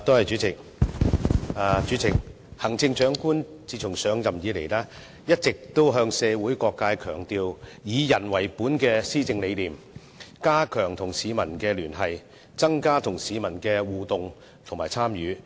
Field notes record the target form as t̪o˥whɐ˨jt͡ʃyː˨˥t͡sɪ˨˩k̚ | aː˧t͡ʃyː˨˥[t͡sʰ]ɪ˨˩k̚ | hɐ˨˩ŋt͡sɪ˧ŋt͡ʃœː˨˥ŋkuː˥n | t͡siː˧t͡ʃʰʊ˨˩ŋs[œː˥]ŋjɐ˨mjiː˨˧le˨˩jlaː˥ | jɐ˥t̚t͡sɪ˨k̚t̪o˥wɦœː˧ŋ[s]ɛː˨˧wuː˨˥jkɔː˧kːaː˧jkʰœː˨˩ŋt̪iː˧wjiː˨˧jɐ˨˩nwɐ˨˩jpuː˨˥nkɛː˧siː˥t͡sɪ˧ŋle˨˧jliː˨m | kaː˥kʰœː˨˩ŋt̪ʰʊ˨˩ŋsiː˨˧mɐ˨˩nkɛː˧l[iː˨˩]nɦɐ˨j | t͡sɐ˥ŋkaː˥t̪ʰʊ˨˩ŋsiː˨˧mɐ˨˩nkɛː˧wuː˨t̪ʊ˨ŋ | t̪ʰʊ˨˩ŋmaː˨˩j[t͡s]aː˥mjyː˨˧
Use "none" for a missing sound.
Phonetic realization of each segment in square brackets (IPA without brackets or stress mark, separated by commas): t͡s, œː˨˧, s, yː˨˩, t͡sʰ